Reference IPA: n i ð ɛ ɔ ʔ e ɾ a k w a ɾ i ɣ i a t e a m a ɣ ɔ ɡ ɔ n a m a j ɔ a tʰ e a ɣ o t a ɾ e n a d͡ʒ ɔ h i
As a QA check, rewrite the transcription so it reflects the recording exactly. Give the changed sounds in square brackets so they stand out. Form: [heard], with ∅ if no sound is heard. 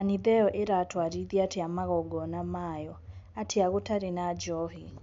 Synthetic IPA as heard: n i ð ɛ ɔ ʔ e ɾ a [t] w a ɾ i [ð] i a t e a m a ɣ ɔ ɡ ɔ n a m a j ɔ a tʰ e a ɣ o t a ɾ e n a d͡ʒ ɔ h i